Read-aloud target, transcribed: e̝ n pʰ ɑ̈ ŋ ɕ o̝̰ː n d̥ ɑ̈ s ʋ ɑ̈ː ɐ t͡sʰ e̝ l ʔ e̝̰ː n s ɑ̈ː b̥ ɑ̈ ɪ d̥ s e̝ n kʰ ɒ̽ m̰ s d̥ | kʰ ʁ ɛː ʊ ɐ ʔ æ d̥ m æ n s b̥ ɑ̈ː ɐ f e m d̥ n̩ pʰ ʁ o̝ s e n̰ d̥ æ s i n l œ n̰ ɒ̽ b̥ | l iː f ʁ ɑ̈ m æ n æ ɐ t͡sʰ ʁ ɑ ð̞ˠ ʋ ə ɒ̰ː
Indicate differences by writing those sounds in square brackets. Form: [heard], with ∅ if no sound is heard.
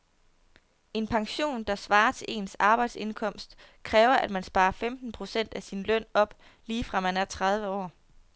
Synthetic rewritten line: e̝ n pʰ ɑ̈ ŋ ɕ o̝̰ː n d̥ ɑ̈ s ʋ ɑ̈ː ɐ t͡sʰ e̝ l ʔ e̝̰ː n s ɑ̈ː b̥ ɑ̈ ɪ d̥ s e̝ n kʰ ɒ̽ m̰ s d̥ | kʰ ʁ ɛː ʊ ɐ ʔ æ d̥ m æ n s b̥ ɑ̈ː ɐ f e m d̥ n̩ pʰ ʁ o̝ s e n̰ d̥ æ s i n l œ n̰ ɒ̽ b̥ | l iː f ʁ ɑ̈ m æ n æ ɐ t͡sʰ ʁ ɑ ð̞ˠ ʋ ə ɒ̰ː